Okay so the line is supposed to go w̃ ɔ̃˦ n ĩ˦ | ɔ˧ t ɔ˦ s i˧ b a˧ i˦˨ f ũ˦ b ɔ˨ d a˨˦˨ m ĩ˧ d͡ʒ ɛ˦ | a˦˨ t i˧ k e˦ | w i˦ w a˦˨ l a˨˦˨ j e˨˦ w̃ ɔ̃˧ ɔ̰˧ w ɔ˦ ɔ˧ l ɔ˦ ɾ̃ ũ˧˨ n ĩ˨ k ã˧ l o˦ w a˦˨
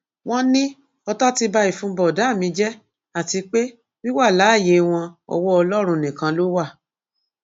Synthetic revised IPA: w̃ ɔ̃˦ n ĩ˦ | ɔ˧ t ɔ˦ t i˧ b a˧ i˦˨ f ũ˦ b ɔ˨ d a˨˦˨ m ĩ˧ d͡ʒ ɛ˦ | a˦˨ t i˧ k͡p e˦ | w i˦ w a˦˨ l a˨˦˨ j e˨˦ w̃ ɔ̃˧ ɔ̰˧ w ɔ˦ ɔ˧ l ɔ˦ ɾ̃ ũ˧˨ n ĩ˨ k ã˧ l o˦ w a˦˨